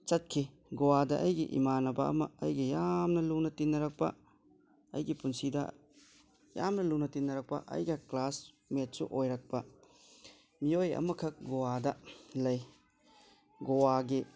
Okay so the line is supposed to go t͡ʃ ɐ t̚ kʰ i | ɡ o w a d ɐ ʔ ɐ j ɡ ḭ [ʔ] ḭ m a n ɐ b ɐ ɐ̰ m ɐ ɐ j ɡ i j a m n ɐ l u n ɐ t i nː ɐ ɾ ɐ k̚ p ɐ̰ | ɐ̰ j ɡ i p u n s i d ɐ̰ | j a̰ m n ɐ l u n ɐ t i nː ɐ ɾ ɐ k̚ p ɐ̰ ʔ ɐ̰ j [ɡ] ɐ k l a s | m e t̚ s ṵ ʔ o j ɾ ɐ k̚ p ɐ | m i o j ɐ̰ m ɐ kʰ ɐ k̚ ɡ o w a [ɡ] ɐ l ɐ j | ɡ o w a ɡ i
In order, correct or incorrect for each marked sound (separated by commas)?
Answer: correct, correct, incorrect